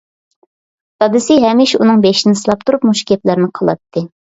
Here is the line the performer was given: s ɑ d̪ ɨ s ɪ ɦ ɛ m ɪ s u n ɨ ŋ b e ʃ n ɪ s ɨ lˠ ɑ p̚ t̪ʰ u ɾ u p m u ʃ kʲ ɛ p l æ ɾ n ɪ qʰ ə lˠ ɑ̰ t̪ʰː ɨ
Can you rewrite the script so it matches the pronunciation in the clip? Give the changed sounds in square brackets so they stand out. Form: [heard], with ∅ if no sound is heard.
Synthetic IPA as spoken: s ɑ d̪ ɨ s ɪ ɦ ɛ m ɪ [ʃ] u n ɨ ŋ b e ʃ n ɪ s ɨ lˠ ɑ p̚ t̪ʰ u ɾ u p m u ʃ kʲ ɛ p l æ ɾ n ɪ qʰ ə lˠ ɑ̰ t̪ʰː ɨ

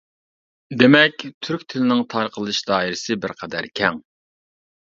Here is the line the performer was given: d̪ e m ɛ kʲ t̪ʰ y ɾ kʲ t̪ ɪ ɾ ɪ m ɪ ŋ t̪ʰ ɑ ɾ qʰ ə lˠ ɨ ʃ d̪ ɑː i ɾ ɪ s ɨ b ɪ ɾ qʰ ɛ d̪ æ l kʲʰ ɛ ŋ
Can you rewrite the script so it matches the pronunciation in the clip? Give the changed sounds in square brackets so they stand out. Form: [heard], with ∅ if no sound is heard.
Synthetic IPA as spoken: d̪ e m ɛ kʲ t̪ʰ y ɾ kʲ [t̪ʰ] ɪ [l] ɪ [n] ɪ ŋ t̪ʰ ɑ ɾ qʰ ə lˠ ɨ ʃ d̪ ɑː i ɾ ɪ s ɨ b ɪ ɾ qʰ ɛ d̪ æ [ɾ] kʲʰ ɛ ŋ

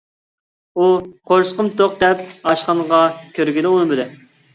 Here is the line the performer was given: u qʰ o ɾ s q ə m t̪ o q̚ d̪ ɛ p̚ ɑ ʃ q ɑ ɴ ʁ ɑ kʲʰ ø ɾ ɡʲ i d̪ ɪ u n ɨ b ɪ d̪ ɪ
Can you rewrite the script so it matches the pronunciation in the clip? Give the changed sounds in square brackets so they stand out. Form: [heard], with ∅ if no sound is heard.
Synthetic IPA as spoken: u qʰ o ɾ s q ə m t̪ o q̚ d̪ ɛ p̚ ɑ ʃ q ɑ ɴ ʁ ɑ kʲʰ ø ɾ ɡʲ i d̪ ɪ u n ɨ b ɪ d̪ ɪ

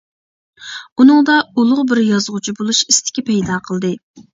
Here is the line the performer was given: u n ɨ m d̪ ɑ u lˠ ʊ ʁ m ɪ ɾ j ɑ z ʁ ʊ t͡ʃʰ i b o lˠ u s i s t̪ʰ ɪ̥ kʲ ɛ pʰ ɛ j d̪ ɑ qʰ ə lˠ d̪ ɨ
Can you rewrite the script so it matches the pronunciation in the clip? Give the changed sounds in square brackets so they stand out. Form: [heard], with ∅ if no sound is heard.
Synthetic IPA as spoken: u n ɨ [ŋ] d̪ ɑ u lˠ ʊ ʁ [b] ɪ ɾ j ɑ z ʁ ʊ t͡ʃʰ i b o lˠ u [ʃ] i s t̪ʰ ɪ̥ kʲ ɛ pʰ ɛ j d̪ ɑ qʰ ə lˠ d̪ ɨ

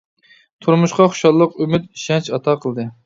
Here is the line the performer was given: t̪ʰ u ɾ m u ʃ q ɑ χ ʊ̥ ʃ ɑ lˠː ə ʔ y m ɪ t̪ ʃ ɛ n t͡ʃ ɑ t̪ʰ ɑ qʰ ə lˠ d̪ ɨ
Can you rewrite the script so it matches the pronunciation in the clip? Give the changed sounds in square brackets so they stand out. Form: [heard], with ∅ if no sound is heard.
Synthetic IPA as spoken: t̪ʰ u ɾ m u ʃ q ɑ χ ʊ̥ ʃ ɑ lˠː ə [q] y m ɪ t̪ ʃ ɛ n t͡ʃ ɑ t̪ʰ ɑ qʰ ə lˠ d̪ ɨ

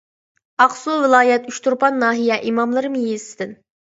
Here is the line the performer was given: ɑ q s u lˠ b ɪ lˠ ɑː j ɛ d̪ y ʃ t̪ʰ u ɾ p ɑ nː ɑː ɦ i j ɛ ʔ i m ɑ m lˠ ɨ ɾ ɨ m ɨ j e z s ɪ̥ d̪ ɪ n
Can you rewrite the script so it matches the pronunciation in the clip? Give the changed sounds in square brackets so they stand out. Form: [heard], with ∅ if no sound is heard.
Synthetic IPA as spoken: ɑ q s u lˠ [v] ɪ lˠ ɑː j ɛ [t̪] y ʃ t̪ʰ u ɾ p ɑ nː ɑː ɦ i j ɛ ʔ i m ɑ m lˠ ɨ ɾ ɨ m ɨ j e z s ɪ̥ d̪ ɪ n

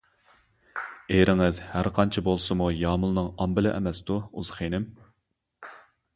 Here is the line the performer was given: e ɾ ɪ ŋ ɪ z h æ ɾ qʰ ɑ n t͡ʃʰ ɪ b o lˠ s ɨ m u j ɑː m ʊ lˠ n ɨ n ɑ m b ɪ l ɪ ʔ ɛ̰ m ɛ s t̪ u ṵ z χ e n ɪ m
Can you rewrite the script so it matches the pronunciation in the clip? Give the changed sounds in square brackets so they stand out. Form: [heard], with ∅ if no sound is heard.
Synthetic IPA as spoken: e ɾ ɪ ŋ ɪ z h æ ɾ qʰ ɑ n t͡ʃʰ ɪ b o lˠ s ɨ m u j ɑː m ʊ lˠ n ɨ [ŋ] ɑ m b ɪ l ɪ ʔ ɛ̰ m ɛ s t̪ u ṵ z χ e n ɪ m

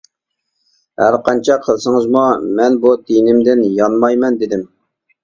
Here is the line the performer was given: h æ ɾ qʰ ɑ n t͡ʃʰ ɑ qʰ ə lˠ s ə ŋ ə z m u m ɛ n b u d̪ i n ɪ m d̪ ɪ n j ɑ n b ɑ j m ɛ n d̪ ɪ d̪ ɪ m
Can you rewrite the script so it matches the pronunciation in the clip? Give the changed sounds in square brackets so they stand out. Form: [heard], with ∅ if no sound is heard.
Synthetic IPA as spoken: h æ ɾ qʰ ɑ n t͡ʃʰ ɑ qʰ ə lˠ s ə ŋ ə z m u m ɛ n b u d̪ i n ɪ m d̪ ɪ n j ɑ n [m] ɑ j m ɛ n d̪ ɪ d̪ ɪ m

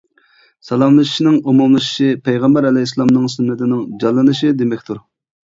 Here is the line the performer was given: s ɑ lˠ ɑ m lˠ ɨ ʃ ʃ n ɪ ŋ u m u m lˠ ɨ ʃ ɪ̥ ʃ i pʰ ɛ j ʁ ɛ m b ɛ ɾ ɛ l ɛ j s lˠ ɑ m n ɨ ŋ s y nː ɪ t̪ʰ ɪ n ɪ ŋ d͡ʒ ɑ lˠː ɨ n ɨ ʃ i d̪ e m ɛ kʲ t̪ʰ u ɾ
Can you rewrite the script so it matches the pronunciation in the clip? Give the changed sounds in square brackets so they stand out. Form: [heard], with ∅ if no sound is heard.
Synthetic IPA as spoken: s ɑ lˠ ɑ m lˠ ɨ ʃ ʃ n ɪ ŋ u m u m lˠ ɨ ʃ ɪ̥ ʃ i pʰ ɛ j ʁ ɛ m b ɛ ɾ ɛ l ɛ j s lˠ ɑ m n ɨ ŋ s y nː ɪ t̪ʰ ɪ n ɪ ŋ d͡ʒ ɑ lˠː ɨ n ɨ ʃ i d̪ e m ɛ kʲ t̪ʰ u ɾ

